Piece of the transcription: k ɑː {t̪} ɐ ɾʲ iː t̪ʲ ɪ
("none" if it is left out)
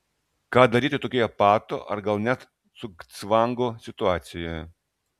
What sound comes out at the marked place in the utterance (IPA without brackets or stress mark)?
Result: d̪